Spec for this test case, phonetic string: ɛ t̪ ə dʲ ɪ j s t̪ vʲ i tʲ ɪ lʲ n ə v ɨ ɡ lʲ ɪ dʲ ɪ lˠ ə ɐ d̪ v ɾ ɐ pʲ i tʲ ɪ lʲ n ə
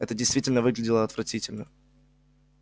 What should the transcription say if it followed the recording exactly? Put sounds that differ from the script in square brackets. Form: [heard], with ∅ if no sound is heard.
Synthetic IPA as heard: ɛ t̪ ə dʲ ɪ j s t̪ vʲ i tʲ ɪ lʲ n ə v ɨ ɡ lʲ ɪ dʲ ɪ lˠ ə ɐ [t̪] v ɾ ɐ [tʲ] i tʲ ɪ lʲ n ə